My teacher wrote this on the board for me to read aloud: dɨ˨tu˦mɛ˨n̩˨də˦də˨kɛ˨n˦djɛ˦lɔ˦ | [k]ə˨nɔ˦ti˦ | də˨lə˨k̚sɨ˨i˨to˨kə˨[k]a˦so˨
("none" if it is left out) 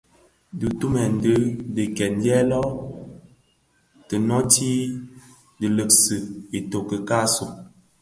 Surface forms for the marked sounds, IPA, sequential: t, k

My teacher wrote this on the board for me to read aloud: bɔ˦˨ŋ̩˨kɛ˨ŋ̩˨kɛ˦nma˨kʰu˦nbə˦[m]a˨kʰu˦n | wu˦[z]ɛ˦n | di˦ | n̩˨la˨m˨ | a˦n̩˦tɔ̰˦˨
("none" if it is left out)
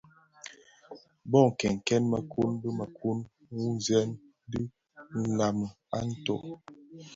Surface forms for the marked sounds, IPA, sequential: m, z

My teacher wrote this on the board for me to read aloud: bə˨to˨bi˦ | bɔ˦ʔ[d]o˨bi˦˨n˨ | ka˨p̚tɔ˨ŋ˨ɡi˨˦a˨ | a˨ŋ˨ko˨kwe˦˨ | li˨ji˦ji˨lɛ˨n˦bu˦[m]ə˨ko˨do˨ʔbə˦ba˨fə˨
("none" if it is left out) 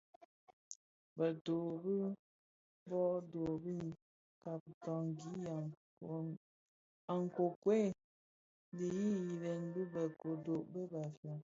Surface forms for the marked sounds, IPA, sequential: d, b

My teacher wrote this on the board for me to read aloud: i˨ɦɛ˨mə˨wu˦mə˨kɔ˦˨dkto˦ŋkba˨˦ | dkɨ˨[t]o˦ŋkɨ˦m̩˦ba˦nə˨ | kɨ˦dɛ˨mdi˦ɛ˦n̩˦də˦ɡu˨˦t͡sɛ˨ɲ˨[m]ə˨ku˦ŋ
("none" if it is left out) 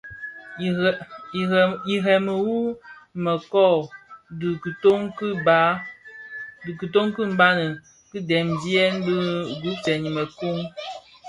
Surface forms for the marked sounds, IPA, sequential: t, m

